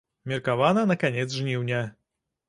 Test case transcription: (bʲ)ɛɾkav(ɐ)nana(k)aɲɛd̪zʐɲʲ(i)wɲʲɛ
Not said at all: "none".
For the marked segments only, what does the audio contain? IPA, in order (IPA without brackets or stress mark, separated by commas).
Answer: mʲ, a, k, i